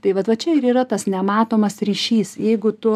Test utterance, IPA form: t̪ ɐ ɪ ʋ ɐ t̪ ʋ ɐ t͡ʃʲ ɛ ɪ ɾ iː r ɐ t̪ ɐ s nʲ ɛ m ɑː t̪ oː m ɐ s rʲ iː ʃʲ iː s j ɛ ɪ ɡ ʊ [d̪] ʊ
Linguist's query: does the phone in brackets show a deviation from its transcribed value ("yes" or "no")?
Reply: yes